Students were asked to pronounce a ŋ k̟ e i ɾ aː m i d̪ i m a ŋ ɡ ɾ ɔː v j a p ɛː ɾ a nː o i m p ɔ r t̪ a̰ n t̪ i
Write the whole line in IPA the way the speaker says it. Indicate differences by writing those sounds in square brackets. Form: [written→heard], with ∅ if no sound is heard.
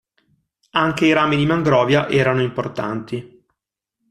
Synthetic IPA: a ŋ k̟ e i ɾ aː m i d̪ i m a ŋ ɡ ɾ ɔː v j a [p→ʔ] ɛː ɾ a [nː→n] o i m p [ɔ→o] r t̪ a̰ n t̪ i